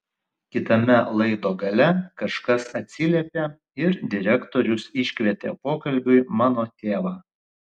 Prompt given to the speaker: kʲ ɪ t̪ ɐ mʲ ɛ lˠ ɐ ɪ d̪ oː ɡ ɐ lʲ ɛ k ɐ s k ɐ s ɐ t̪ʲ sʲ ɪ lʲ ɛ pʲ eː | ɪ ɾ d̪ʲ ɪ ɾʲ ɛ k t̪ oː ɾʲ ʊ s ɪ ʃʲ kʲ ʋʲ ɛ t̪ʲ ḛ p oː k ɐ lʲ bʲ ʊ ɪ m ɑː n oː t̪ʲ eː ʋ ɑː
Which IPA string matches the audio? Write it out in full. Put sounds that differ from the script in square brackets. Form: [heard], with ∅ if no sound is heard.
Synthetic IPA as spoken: kʲ ɪ t̪ ɐ mʲ ɛ lˠ ɐ ɪ d̪ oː ɡ ɐ lʲ ɛ k ɐ [ʃ] k ɐ s ɐ t̪ʲ sʲ ɪ lʲ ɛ pʲ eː | ɪ ɾ d̪ʲ ɪ ɾʲ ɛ k t̪ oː ɾʲ ʊ s ɪ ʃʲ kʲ ʋʲ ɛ t̪ʲ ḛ p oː k ɐ lʲ bʲ ʊ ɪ m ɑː n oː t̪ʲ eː ʋ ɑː